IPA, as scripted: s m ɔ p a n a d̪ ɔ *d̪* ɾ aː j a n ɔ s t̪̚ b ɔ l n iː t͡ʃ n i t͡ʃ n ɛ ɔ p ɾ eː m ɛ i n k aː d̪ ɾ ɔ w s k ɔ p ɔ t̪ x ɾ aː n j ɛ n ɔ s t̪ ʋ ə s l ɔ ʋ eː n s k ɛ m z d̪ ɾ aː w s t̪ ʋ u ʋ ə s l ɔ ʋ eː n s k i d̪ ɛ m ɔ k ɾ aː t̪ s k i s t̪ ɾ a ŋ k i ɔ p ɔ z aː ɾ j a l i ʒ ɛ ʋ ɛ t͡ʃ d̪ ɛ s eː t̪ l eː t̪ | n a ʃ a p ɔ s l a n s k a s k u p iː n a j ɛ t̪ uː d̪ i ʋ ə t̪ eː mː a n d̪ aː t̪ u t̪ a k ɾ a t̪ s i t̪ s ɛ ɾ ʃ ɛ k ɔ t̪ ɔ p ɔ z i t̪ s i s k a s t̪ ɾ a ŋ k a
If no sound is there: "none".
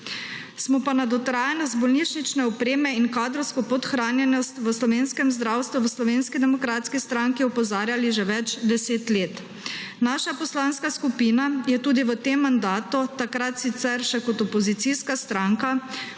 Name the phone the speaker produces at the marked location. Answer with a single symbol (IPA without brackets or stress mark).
t̪